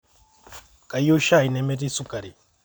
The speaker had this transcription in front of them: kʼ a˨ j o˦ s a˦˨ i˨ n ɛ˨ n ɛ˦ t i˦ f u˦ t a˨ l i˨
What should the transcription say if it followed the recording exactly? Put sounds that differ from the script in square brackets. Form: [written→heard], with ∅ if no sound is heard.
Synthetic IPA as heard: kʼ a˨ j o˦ [s→ʃ] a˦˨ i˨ n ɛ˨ [n→m] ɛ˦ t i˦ [f→s] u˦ [t→k] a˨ [l→ɾ] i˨